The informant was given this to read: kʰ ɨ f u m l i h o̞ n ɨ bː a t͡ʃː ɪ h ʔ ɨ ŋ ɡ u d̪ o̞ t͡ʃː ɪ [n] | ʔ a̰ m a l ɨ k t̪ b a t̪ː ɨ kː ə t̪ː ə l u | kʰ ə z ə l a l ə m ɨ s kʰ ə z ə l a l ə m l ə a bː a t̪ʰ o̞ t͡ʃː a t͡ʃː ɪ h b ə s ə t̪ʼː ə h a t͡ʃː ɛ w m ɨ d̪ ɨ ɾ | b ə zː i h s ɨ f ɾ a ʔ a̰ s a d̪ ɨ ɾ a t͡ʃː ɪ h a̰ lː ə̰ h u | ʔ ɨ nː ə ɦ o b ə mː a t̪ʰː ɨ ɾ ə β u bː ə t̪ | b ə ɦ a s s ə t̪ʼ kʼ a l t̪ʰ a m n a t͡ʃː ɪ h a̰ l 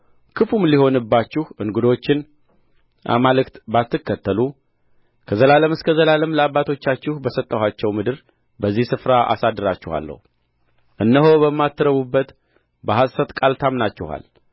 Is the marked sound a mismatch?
no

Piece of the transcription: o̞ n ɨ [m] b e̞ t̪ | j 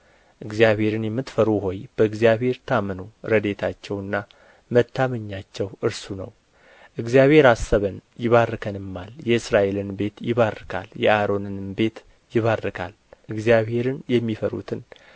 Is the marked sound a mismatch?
yes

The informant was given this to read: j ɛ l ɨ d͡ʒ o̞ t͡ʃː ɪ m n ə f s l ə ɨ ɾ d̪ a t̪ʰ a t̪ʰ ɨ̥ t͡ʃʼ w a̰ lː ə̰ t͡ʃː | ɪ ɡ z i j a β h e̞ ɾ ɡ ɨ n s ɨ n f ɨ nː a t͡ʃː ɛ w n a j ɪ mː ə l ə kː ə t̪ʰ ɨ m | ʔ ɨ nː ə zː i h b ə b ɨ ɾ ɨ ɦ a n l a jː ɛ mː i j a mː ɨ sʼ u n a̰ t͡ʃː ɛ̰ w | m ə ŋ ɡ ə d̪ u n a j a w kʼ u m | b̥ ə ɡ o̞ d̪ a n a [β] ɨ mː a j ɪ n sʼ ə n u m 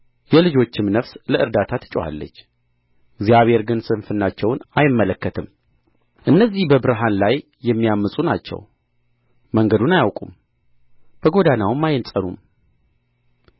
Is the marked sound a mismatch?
yes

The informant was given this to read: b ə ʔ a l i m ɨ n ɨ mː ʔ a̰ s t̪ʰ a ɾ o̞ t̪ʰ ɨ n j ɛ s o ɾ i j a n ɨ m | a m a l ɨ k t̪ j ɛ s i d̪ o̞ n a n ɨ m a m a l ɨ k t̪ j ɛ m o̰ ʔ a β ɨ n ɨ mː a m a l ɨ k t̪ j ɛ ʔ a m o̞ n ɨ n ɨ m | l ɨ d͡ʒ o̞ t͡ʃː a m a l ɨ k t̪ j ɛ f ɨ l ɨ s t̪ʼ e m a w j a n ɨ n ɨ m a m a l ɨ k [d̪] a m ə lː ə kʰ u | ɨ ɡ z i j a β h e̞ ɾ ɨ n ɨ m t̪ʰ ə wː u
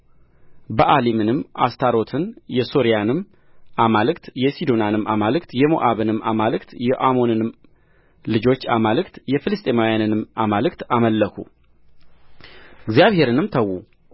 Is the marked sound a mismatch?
yes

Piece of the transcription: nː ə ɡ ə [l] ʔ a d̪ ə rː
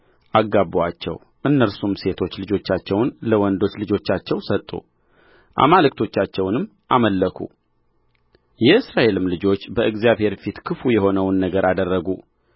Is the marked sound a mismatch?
yes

